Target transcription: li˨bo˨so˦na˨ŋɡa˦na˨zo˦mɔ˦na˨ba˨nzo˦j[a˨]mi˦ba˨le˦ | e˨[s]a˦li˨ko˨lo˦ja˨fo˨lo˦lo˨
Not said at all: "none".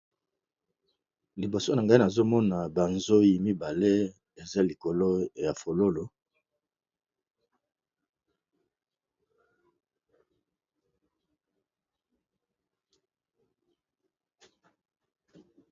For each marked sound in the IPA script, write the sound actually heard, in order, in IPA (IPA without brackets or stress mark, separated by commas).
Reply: i˨, z